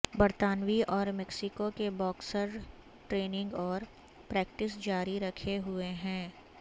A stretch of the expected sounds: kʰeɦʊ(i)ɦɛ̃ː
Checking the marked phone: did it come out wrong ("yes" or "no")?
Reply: yes